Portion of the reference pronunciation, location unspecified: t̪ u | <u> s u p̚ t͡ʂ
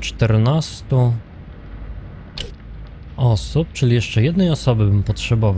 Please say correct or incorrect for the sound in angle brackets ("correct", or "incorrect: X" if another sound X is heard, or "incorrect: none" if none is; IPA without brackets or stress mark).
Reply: incorrect: ɔ